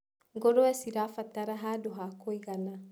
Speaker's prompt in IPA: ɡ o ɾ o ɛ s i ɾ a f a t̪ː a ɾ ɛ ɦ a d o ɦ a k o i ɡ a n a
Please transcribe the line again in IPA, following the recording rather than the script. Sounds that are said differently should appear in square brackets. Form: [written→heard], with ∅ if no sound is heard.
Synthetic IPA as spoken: ɡ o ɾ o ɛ s i ɾ a f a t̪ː a ɾ [ɛ→a] ɦ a d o ɦ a k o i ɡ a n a